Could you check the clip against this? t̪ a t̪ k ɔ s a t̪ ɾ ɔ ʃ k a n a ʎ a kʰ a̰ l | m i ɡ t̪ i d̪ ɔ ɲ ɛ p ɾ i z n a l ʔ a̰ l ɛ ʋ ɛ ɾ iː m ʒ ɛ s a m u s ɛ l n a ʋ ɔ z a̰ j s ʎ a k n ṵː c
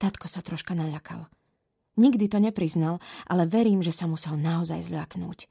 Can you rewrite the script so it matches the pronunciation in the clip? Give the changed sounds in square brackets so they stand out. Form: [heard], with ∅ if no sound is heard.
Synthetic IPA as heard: t̪ a t̪ k ɔ s a t̪ ɾ ɔ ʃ k a n a ʎ a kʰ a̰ l | [ɲ] i ɡ [d̪] i [t̪] ɔ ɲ ɛ p ɾ i z n a l ʔ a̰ l ɛ ʋ ɛ ɾ iː m ʒ ɛ s a m u s ɛ l n a [∅] ɔ z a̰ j [z] ʎ a k n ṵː c